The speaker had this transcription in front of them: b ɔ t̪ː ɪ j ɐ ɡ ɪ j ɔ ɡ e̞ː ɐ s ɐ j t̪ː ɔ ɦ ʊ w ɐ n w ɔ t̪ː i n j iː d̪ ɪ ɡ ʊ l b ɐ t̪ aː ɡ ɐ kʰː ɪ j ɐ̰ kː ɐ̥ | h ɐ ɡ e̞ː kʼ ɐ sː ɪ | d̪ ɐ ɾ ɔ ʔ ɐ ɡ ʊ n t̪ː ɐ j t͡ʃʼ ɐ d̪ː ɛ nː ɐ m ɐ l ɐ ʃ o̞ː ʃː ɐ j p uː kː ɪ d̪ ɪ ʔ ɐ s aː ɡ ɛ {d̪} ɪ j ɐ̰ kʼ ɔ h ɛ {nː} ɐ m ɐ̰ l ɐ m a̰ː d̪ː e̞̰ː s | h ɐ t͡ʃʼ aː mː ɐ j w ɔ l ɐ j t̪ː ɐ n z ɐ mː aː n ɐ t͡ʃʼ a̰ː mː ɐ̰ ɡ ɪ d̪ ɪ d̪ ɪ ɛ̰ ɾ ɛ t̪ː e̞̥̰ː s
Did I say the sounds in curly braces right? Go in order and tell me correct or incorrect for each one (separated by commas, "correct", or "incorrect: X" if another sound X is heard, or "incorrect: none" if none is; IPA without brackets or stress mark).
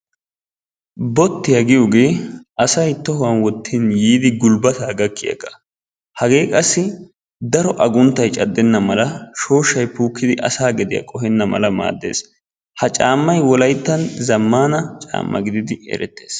correct, correct